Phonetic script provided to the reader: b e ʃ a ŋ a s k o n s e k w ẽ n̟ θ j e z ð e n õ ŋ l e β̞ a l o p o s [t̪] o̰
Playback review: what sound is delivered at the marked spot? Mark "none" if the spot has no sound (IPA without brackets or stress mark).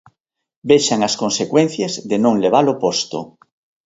t̪